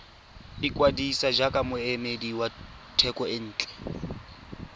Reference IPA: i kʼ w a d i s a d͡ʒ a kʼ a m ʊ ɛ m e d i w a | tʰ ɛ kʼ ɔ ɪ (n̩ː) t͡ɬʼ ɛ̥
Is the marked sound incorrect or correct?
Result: correct